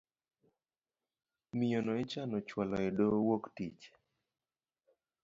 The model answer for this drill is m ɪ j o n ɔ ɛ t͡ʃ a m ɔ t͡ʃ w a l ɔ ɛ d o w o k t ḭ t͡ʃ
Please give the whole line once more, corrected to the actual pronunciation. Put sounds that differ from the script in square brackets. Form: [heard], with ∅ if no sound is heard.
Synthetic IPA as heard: m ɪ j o n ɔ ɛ t͡ʃ a [n] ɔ t͡ʃ w a l ɔ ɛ d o w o k t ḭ t͡ʃ